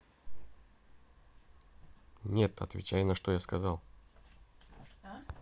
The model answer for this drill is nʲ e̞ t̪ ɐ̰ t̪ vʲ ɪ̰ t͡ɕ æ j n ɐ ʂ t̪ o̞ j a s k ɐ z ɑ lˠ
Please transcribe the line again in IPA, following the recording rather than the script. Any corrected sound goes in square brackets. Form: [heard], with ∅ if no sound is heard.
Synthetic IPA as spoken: nʲ e̞ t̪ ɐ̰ t̪ vʲ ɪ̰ t͡ɕ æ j n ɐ ʂ t̪ o̞ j a s k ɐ z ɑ lˠ